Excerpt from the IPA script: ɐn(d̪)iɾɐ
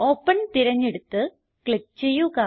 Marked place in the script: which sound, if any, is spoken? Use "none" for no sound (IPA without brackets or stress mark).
t̪